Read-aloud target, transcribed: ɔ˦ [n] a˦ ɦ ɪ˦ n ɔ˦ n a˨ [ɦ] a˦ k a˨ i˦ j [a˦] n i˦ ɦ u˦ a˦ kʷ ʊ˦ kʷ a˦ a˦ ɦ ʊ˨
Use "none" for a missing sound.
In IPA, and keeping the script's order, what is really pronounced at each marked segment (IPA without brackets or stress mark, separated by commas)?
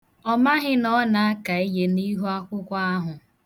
m, none, e˦